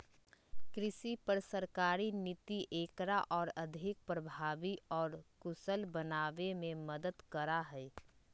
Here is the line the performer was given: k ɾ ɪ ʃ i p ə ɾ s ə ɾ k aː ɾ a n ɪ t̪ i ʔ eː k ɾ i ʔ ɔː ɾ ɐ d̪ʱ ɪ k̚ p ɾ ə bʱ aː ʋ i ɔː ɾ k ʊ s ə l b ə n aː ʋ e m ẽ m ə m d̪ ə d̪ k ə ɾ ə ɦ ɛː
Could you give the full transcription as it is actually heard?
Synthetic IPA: k ɾ ɪ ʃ i p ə ɾ s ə ɾ k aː ɾ i n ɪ t̪ i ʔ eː k ɾ a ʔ ɔː ɾ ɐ d̪ʱ ɪ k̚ p ɾ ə bʱ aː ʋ i ɔː ɾ k ʊ s ə l b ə n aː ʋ e m ẽ m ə d̪ ə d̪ k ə ɾ a ɦ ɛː